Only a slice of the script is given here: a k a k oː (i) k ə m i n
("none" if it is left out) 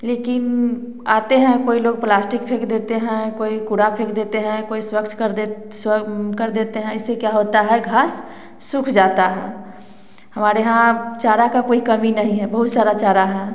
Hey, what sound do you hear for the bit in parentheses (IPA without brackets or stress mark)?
i